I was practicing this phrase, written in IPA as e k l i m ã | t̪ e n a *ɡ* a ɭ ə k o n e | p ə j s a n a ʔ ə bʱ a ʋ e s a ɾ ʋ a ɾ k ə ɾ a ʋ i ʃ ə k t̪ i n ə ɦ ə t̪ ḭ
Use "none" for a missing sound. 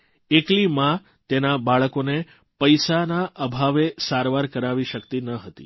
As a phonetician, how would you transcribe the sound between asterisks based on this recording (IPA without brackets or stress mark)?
b